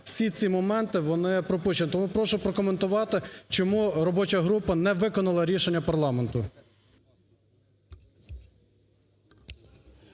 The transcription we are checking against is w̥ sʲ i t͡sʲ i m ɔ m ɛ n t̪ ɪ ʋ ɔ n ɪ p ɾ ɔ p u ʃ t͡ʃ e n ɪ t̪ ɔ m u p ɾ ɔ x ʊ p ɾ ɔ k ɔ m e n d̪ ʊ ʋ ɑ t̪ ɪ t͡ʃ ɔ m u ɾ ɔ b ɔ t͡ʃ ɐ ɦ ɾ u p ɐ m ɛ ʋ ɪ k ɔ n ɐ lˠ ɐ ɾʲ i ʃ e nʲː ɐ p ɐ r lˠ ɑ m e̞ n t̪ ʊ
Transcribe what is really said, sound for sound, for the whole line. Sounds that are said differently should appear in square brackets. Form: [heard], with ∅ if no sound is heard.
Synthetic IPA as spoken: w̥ sʲ i t͡sʲ i m ɔ m ɛ n t̪ ɪ ʋ ɔ n ɪ p ɾ ɔ p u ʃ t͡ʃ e n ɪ t̪ ɔ m u p ɾ ɔ [ʃ] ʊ p ɾ ɔ k ɔ m e n [t̪] ʊ ʋ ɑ t̪ ɪ t͡ʃ ɔ m u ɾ ɔ b ɔ t͡ʃ ɐ ɦ ɾ u p ɐ [n] ɛ ʋ ɪ k ɔ n ɐ lˠ ɐ ɾʲ i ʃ e nʲː ɐ p ɐ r lˠ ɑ m e̞ n t̪ ʊ